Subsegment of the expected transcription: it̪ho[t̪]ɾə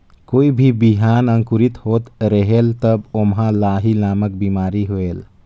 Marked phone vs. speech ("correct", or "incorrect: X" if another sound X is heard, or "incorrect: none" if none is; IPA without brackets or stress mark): correct